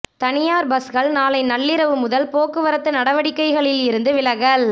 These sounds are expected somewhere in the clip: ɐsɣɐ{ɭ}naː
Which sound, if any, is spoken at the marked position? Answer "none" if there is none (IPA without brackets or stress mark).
ɭ